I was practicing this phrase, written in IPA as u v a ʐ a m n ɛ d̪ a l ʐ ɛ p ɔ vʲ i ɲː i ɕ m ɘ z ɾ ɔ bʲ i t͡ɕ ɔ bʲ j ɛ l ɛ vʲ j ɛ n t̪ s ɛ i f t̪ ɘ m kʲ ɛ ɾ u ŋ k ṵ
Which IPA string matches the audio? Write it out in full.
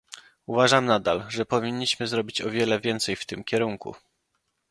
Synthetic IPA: u v a ʐ a m n a d̪ a l ʐ ɛ p ɔ vʲ i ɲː i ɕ m ɘ z ɾ ɔ bʲ i t͡ɕ ɔ vʲ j ɛ l ɛ vʲ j ɛ n t̪ s ɛ j f t̪ ɘ m kʲ ɛ ɾ u ŋ k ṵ